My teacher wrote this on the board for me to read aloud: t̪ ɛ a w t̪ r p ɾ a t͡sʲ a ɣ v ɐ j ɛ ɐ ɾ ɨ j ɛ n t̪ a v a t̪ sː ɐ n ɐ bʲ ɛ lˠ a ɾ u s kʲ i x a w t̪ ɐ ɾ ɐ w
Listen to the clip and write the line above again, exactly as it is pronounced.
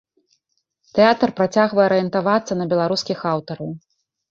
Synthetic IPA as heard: t̪ ɛ a t̪ r p ɾ a t͡sʲ a ɣ v ɐ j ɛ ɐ ɾ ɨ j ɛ n t̪ a v a t̪ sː ɐ n ɐ bʲ ɛ lˠ a ɾ u s kʲ i x a w t̪ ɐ ɾ ɐ w